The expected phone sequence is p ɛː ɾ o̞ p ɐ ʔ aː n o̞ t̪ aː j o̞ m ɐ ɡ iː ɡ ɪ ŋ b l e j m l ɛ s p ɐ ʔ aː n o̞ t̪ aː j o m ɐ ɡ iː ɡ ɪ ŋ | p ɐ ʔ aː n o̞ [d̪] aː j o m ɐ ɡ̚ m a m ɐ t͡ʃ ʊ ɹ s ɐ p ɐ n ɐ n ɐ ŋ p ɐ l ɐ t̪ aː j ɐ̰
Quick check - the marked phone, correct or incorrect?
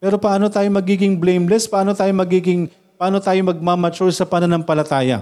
incorrect